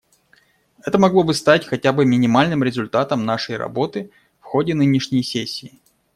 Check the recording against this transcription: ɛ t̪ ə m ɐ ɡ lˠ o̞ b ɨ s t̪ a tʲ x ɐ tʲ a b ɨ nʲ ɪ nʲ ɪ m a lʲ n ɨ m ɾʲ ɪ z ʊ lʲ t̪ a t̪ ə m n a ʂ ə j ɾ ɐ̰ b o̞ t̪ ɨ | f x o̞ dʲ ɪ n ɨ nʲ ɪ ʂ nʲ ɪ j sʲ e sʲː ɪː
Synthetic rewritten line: ɛ t̪ ə m ɐ ɡ lˠ o̞ b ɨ s t̪ a tʲ x ɐ tʲ a b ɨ mʲ ɪ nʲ ɪ m a lʲ n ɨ m ɾʲ ɪ z ʊ lʲ t̪ a t̪ ə m n a ʂ ə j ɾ ɐ̰ b o̞ t̪ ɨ | f x o̞ dʲ ɪ n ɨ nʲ ɪ ʂ nʲ ɪ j sʲ e sʲː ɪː